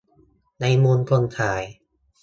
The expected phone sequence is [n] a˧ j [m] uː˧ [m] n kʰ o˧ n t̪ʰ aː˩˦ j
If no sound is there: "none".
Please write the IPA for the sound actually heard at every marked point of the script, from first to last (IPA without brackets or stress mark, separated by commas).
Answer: n, m, none